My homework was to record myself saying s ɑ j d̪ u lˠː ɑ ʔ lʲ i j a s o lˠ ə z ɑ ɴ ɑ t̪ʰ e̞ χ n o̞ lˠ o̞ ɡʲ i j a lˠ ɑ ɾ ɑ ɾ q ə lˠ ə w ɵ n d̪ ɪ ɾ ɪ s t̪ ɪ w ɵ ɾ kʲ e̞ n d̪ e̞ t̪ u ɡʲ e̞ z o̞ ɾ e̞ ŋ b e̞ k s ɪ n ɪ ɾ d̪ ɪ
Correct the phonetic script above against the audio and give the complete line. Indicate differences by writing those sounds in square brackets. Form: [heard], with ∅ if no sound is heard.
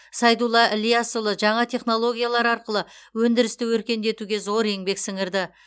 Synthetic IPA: s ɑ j d̪ u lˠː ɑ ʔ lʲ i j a s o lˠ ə [ʒ] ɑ ɴ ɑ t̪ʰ e̞ χ n o̞ lˠ o̞ ɡʲ i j a lˠ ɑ ɾ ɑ ɾ q ə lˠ ə w ɵ n d̪ ɪ ɾ ɪ s t̪ ɪ w ɵ ɾ kʲ e̞ n d̪ e̞ t̪ u ɡʲ e̞ z o̞ ɾ e̞ ŋ b e̞ k s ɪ [ŋ] ɪ ɾ d̪ ɪ